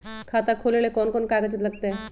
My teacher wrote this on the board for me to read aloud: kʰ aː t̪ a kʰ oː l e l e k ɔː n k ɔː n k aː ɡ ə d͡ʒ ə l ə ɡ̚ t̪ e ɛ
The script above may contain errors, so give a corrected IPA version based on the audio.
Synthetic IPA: kʰ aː t̪ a kʰ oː l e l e k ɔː n k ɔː n k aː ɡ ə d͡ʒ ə l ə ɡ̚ t̪ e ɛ